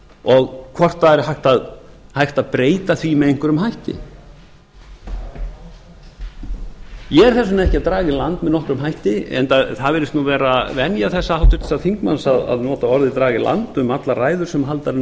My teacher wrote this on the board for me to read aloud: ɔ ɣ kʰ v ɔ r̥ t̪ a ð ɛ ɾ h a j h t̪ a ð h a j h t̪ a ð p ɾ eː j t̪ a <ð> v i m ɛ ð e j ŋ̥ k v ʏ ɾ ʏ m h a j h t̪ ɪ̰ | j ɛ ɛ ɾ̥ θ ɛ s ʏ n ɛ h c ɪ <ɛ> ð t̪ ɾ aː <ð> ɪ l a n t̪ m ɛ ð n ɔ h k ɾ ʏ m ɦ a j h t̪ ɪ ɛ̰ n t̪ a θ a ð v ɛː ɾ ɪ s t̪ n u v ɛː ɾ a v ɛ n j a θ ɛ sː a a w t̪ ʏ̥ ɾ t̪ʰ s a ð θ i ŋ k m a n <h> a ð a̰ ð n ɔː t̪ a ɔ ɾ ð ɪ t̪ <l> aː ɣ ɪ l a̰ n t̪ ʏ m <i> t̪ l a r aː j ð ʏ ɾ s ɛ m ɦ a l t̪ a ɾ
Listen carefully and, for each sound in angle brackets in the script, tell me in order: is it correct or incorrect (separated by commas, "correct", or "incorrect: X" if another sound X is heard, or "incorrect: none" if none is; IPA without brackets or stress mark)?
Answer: incorrect: θ, incorrect: a, incorrect: ɣ, incorrect: s, incorrect: ɾ, incorrect: a